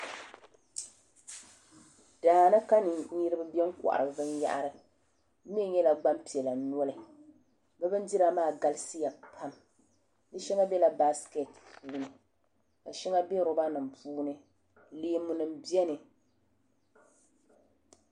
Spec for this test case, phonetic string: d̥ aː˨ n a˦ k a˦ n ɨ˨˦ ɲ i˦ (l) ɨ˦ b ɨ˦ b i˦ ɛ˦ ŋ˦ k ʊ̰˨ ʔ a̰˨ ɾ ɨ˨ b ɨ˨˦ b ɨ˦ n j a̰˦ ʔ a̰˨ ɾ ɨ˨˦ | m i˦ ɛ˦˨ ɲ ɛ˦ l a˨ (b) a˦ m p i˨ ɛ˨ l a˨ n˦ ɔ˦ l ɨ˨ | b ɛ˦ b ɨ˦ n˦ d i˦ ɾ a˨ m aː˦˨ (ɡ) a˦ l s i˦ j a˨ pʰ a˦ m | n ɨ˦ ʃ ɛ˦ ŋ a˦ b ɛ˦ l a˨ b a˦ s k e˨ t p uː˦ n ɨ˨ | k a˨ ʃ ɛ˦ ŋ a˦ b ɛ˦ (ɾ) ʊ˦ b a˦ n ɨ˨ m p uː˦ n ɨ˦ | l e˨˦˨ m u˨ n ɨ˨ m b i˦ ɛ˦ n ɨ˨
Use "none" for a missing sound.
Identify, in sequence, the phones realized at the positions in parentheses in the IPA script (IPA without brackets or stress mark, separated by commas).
ɾ, ɡ͡b, ɡ, ɾ